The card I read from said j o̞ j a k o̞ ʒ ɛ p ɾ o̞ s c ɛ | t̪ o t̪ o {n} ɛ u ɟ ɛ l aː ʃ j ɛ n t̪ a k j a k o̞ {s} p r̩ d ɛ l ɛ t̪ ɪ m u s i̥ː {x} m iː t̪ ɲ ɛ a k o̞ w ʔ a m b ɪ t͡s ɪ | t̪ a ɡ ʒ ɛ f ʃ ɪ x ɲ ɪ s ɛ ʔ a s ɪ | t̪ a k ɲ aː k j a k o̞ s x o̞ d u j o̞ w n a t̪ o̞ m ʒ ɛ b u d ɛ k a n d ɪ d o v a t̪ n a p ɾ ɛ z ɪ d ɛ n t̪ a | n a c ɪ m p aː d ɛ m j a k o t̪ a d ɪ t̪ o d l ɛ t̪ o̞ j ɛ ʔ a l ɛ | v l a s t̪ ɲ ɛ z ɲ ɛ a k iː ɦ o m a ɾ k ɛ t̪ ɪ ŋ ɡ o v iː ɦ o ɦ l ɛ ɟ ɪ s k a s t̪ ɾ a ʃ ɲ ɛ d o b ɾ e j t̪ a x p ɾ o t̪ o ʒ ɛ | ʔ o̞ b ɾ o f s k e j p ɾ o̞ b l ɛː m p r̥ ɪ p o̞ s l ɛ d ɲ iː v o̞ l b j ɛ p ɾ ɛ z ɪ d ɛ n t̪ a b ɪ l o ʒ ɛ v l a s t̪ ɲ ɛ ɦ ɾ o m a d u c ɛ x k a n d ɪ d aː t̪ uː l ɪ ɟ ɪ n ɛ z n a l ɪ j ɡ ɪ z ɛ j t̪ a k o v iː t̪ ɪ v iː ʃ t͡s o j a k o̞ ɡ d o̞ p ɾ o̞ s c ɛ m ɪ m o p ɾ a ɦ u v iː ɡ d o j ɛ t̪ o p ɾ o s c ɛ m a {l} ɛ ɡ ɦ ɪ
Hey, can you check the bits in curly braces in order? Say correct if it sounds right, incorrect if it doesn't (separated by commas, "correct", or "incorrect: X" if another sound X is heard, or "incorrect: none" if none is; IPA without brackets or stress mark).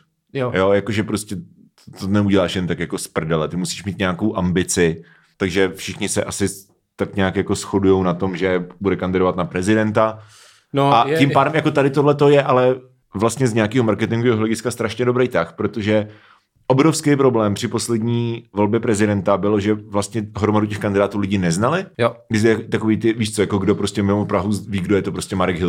correct, correct, incorrect: ʃ, incorrect: ɾ